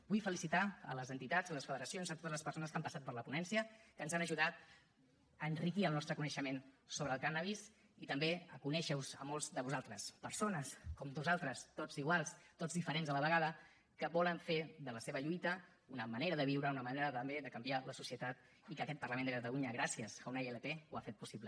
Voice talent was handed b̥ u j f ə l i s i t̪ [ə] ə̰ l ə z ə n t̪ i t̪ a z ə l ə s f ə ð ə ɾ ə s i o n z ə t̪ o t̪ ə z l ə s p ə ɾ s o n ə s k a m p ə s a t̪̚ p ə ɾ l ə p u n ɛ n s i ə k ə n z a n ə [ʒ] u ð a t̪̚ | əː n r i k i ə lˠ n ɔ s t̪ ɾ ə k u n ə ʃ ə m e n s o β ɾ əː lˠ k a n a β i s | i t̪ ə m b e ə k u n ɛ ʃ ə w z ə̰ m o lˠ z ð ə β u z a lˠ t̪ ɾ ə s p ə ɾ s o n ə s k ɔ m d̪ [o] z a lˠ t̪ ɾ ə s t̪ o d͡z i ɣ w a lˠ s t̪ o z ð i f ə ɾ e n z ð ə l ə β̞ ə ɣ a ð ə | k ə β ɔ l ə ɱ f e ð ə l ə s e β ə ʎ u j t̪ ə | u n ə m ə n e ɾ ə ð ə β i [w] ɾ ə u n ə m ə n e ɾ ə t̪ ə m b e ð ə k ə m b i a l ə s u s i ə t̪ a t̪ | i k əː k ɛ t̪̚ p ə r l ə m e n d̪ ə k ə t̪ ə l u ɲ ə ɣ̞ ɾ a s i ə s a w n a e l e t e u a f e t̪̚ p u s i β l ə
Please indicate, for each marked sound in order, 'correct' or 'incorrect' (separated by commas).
incorrect, correct, incorrect, correct